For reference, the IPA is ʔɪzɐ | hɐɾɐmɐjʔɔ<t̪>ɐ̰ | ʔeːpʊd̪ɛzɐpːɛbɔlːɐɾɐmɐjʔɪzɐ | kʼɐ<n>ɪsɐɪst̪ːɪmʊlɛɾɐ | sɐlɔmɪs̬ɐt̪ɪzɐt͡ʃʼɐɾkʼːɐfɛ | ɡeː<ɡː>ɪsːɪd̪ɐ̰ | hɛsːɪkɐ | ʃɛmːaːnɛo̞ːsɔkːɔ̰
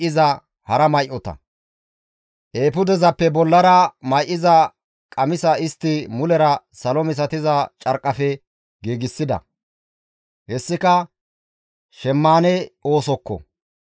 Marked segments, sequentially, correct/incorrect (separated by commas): correct, incorrect, incorrect